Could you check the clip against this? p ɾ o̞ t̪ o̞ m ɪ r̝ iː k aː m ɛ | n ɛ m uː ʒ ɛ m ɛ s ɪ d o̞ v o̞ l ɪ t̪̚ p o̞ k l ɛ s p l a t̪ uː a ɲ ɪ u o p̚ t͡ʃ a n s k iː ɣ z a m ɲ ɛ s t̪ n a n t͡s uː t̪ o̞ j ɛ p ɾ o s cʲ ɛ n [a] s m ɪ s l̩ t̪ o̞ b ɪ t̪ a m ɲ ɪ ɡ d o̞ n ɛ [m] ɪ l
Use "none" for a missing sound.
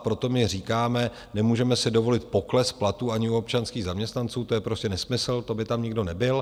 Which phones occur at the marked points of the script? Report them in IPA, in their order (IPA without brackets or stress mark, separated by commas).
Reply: ɛ, b